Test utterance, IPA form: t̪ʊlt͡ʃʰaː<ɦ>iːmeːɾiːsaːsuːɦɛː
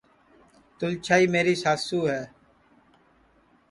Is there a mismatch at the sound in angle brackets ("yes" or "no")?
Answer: yes